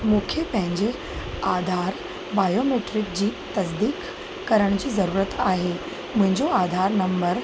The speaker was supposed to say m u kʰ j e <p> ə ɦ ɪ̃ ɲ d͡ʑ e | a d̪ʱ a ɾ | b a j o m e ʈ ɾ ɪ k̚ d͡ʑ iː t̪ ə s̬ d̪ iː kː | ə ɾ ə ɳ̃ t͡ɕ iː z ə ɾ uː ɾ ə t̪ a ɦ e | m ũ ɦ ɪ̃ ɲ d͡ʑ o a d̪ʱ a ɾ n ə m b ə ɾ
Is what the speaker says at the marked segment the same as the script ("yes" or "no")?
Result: yes